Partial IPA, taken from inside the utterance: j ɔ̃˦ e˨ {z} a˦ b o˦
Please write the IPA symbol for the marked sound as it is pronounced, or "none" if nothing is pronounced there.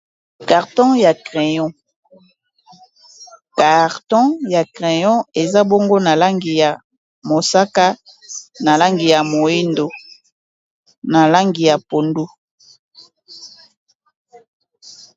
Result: z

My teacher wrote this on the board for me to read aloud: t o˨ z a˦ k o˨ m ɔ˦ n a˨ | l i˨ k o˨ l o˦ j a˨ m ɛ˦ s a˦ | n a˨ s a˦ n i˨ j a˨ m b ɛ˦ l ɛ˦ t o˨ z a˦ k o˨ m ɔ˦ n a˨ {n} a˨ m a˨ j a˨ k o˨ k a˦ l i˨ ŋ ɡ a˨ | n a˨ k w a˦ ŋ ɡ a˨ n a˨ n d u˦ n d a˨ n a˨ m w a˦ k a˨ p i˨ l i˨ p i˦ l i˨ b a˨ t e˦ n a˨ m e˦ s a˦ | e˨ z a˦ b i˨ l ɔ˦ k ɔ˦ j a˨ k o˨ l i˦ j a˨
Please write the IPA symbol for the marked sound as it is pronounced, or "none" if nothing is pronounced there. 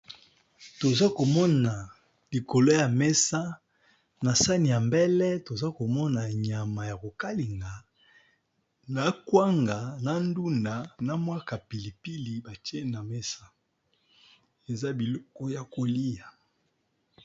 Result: ɲ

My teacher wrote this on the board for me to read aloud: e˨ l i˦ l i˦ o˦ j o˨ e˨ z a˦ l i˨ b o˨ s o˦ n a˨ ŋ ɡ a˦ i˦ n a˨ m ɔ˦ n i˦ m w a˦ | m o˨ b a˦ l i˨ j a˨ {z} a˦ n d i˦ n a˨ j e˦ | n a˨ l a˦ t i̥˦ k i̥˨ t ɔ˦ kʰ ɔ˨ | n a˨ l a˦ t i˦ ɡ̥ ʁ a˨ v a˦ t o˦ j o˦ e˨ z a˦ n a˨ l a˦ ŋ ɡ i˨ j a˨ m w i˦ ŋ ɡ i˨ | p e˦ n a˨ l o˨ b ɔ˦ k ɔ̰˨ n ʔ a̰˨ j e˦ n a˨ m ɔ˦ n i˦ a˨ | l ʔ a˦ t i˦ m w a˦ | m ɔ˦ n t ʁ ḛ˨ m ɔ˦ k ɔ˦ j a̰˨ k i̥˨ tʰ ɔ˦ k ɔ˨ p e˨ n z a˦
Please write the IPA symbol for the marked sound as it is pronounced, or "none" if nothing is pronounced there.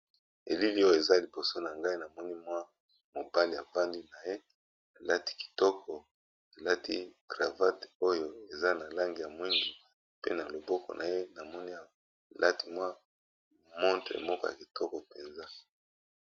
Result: v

